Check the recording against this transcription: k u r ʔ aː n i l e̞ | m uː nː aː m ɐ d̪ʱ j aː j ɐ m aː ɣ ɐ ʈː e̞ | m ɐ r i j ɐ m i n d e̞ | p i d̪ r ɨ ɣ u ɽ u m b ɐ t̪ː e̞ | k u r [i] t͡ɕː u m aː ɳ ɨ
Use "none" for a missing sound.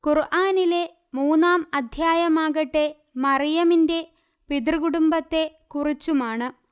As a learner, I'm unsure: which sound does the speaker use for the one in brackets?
i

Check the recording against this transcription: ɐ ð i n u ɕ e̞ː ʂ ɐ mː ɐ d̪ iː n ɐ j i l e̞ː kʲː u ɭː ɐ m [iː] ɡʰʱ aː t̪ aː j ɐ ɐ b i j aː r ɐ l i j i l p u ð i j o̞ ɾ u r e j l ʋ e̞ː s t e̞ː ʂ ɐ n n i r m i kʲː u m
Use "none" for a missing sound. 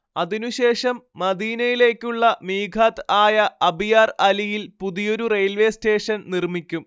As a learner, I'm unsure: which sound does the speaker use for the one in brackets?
iː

